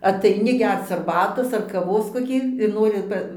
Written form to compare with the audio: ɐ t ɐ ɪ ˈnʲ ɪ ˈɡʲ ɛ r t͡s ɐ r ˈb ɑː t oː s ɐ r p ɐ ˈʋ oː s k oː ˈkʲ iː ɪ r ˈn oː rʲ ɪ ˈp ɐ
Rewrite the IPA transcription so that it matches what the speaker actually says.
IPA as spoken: ɐ t ɐ ɪ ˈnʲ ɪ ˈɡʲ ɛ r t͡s ɐ r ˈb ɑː t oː s ɐ r k ɐ ˈʋ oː s k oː ˈkʲ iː ɪ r ˈn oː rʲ ɪ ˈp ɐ